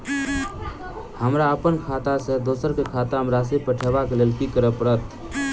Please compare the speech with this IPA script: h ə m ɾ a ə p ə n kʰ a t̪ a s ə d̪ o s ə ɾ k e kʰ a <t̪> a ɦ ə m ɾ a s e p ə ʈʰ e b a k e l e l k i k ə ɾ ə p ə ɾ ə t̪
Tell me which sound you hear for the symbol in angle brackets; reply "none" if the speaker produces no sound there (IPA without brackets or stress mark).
t̪